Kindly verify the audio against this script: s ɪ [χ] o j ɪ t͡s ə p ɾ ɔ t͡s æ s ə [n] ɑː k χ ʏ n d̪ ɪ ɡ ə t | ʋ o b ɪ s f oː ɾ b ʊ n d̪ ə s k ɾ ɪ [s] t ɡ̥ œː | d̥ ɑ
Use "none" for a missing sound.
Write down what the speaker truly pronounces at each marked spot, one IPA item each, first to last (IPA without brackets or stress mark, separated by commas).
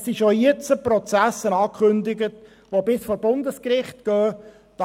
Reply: ʃ, n, χ